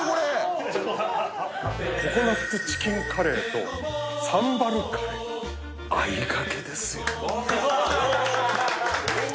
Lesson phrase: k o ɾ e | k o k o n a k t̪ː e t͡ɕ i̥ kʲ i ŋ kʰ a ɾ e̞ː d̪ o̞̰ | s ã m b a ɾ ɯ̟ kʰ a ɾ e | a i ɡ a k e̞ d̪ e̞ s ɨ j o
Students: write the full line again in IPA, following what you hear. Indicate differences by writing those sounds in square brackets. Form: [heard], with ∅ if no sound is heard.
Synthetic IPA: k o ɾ e | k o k o n a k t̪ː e t͡ɕ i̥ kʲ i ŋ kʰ a ɾ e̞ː [t̪] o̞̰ | s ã m b a ɾ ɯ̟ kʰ a ɾ e | a i ɡ a k e̞ d̪ e̞ s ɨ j o